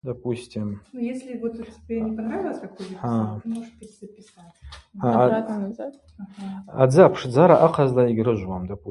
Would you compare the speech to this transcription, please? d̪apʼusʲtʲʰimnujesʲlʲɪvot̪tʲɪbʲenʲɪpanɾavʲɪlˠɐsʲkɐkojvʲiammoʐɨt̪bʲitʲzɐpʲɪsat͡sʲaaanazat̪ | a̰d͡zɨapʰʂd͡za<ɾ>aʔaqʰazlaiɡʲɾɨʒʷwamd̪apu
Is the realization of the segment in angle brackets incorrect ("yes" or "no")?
no